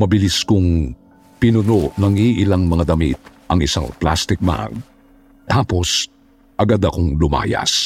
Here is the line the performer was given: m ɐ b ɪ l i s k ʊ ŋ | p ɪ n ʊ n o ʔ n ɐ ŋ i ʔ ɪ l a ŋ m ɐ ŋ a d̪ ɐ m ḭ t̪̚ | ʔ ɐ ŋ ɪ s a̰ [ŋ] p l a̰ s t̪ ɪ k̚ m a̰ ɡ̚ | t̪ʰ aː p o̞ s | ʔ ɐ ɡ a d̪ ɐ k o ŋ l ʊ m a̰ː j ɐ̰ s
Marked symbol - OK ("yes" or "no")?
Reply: yes